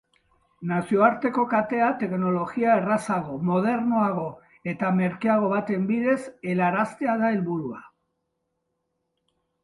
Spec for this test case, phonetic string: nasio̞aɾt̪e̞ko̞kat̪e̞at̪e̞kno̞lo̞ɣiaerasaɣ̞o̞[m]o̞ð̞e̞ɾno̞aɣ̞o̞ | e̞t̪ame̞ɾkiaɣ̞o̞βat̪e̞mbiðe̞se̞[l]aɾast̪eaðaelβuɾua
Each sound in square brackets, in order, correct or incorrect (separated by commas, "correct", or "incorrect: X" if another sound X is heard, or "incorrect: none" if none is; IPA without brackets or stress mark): correct, correct